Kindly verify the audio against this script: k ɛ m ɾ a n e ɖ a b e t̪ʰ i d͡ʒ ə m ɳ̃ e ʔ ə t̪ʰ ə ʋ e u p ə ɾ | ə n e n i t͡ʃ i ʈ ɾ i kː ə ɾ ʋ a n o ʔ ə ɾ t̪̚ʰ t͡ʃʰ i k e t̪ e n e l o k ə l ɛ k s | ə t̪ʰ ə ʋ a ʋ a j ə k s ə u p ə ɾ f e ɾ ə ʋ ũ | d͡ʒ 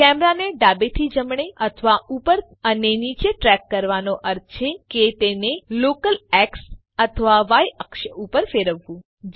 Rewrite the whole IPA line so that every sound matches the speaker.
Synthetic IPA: k ɛ m ɾ a n e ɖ a b e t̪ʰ i d͡ʒ ə m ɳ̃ e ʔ ə t̪ʰ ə ʋ a u p ə ɾ | ə n e n i t͡ʃ e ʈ ɾ ɛ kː ə ɾ ʋ a n o ʔ ə ɾ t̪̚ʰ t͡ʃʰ e k e t̪ e n e l o k ə l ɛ k s | ə t̪ʰ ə ʋ a ʋ a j ə k ʃ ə u p ə ɾ f e ɾ ə ʋː ũ | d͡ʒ

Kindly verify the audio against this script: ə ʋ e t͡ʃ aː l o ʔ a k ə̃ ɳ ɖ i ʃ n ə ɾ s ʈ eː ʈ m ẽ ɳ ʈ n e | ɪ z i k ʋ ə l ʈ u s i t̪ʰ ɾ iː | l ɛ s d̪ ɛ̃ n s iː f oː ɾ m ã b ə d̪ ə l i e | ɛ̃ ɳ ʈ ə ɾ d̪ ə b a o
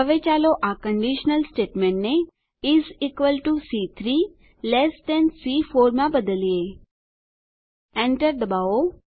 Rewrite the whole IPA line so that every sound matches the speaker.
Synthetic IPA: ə ʋ e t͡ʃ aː l o ʔ a k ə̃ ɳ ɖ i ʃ n ə l s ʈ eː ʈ m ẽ ɳ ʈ n e | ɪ z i k ʋ ə l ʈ u s i t̪ʰ ɾ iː | l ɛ s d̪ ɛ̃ n s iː f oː ɾ m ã b ə d̪ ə l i e | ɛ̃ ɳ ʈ ə ɾ d̪ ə b a o

